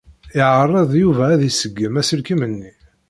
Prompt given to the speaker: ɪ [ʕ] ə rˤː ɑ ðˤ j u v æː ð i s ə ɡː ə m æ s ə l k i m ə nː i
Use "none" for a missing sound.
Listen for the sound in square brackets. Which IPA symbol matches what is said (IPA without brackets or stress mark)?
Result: ʕ